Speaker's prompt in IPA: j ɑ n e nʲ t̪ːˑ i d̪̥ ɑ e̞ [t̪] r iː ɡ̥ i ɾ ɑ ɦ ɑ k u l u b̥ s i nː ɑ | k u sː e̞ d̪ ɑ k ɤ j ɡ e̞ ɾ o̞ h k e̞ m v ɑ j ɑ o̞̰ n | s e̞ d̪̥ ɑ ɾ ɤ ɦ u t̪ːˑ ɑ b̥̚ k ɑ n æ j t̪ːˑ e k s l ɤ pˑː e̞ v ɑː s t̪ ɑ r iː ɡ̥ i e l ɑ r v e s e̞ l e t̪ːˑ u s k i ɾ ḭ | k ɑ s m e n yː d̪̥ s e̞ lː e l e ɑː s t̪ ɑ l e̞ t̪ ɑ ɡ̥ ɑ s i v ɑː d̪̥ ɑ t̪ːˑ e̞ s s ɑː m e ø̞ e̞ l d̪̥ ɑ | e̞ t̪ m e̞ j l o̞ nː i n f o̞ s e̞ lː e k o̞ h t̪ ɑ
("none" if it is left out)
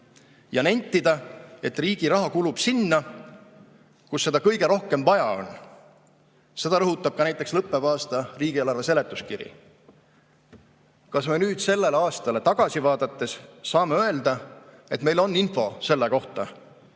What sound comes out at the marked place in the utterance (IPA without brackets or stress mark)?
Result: t̪